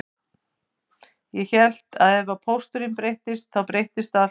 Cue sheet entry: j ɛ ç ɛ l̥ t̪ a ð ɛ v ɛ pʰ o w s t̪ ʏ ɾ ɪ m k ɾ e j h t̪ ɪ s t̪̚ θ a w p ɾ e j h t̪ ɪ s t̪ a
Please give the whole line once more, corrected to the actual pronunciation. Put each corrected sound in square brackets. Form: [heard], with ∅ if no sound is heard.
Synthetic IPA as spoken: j ɛ ç ɛ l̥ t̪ a ð ɛ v [a] pʰ o w s t̪ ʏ ɾ ɪ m [p] ɾ e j h t̪ ɪ s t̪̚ θ a w p ɾ e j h t̪ ɪ s t̪ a